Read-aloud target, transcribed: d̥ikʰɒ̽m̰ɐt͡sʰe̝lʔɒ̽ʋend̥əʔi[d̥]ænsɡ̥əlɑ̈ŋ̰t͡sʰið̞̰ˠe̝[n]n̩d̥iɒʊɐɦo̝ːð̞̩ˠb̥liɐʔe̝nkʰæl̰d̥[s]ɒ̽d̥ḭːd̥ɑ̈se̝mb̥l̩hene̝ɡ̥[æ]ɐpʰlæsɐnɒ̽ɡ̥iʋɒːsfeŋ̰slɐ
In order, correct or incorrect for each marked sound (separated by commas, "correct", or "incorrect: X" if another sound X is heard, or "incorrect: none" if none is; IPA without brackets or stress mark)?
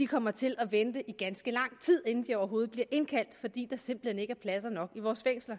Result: incorrect: ɡ̥, correct, incorrect: f, correct